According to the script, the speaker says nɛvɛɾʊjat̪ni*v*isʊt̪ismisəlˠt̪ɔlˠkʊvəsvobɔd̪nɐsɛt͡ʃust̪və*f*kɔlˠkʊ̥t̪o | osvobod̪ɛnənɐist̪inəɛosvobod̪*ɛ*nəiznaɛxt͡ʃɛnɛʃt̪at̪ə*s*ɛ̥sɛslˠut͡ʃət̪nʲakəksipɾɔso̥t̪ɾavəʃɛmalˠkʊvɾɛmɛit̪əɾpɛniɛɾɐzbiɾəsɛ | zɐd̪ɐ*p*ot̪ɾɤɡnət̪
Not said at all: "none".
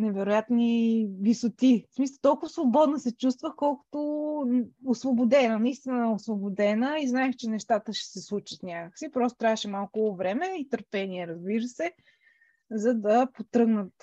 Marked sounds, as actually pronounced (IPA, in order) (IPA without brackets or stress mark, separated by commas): v, x, ɛ, ʃ, p